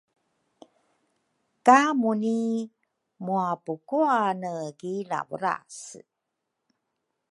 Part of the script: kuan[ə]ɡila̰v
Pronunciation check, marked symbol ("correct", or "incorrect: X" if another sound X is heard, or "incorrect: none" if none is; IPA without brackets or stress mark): correct